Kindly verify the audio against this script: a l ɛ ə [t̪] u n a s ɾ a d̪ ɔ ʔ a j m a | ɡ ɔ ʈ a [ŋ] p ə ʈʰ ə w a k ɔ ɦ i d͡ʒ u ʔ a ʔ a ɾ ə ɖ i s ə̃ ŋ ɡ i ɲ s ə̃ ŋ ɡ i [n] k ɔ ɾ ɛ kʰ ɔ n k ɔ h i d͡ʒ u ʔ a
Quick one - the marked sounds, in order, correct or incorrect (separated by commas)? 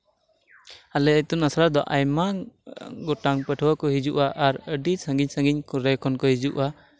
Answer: correct, correct, incorrect